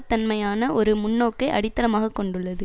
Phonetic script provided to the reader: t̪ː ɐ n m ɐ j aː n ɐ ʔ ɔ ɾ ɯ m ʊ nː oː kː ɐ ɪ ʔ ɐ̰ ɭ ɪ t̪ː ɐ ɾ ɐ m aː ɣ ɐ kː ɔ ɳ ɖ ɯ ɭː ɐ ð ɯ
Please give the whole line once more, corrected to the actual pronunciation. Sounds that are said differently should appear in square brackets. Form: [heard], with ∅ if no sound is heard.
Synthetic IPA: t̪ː ɐ n m ɐ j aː n ɐ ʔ ɔ ɾ ɯ m ʊ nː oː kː ɐ ɪ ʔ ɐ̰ [ɽ] ɪ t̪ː ɐ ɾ ɐ m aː ɣ ɐ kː ɔ ɳ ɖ ɯ ɭː ɐ ð ɯ